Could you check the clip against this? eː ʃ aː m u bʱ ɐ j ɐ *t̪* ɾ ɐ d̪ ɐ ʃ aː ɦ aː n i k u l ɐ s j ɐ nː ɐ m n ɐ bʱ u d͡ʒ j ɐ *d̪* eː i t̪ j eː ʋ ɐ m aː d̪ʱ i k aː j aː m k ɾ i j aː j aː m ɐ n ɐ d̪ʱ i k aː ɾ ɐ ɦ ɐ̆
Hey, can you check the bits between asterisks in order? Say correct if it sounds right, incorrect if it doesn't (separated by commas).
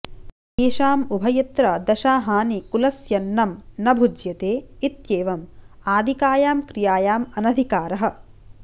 correct, incorrect